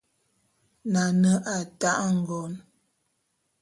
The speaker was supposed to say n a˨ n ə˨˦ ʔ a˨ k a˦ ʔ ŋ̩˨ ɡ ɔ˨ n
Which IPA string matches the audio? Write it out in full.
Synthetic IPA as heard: n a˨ n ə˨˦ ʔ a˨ t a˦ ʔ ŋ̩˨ ɡ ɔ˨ n